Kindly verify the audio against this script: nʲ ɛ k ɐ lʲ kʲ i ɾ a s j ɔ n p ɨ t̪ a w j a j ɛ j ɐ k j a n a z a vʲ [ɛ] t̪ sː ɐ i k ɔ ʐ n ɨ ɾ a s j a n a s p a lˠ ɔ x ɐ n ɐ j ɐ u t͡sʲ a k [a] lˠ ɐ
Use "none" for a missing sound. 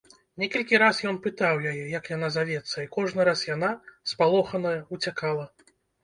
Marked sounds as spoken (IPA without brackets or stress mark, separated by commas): ɛ, a